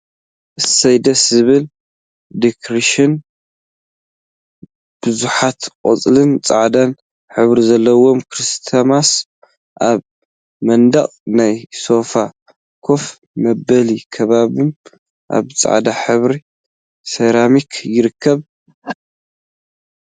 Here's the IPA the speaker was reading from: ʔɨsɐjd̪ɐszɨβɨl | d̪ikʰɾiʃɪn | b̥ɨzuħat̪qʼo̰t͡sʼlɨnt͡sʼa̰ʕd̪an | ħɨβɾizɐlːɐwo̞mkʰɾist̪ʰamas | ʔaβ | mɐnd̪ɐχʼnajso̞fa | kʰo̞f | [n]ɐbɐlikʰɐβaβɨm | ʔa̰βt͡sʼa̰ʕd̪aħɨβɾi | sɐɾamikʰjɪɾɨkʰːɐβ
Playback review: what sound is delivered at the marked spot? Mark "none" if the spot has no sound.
m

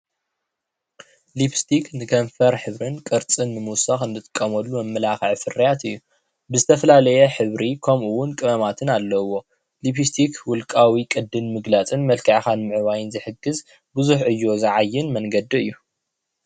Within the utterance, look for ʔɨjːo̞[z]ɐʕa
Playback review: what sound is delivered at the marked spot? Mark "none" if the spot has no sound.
z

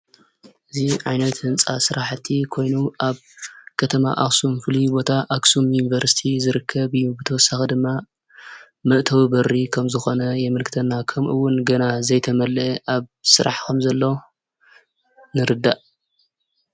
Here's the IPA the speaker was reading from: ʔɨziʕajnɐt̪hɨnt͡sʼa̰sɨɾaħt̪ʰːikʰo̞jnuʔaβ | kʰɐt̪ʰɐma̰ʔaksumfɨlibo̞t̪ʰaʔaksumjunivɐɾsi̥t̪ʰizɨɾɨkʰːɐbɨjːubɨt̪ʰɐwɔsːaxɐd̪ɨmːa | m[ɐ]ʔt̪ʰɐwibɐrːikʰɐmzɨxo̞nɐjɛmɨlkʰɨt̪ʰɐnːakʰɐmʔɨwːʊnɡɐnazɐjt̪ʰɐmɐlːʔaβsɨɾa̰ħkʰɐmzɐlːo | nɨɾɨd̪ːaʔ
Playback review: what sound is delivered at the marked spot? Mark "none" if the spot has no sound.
ɐ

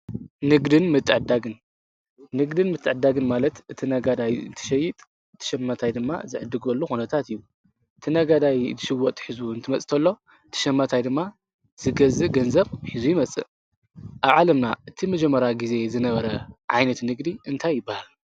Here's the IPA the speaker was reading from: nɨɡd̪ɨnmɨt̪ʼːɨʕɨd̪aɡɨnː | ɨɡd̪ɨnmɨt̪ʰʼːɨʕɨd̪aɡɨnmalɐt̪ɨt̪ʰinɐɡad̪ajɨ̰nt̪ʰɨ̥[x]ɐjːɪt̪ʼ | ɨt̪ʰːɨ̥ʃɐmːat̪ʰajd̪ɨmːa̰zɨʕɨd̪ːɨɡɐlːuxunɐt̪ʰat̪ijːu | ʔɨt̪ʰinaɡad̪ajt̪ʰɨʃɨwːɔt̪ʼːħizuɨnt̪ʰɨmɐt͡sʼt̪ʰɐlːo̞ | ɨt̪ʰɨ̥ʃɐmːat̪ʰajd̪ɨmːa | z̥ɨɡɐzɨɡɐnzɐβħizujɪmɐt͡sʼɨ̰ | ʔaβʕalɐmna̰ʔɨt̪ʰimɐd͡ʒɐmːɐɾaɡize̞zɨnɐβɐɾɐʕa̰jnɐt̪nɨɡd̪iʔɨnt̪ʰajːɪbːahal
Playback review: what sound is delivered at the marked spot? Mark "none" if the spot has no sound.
ʃ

